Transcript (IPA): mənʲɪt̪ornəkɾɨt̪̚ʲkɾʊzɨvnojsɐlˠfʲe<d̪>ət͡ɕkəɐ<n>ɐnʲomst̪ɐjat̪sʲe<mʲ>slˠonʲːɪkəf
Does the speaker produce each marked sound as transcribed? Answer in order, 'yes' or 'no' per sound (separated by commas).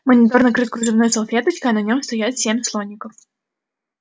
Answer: no, yes, yes